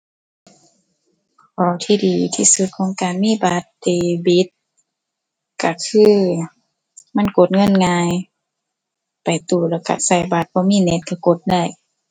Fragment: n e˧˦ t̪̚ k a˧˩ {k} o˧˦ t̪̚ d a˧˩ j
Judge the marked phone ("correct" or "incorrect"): correct